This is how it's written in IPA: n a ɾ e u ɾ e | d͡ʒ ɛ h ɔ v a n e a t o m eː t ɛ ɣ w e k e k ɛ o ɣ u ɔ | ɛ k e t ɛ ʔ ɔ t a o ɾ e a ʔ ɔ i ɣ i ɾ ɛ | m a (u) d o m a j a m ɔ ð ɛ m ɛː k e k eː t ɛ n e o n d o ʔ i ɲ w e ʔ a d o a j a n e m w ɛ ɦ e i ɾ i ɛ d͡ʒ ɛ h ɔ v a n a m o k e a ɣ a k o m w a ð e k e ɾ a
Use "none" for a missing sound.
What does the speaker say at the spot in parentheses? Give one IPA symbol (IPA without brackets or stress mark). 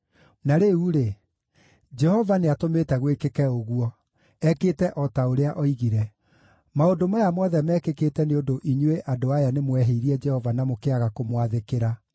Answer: o